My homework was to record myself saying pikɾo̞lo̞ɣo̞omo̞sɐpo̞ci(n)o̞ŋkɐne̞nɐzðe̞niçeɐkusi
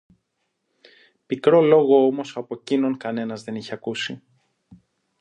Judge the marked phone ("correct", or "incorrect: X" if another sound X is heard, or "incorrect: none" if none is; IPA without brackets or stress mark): correct